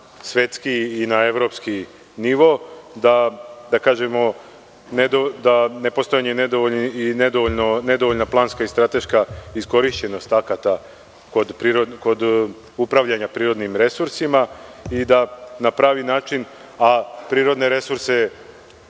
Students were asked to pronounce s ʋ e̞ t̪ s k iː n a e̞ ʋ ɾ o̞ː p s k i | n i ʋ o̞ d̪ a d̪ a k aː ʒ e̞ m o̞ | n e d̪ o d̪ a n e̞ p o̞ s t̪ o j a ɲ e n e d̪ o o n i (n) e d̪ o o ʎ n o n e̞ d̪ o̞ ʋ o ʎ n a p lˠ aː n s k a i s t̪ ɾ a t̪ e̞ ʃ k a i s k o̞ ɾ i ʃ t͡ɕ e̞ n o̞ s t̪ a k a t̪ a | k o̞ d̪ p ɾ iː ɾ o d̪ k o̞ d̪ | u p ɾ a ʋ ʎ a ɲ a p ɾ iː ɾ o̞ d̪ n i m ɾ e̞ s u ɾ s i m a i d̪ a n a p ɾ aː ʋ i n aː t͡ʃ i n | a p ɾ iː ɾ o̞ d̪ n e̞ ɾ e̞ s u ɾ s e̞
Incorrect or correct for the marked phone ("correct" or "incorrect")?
correct